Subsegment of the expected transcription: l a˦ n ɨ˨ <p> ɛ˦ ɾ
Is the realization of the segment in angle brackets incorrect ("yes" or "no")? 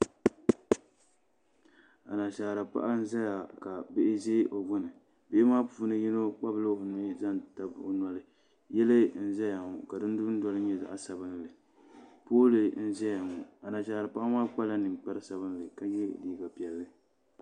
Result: yes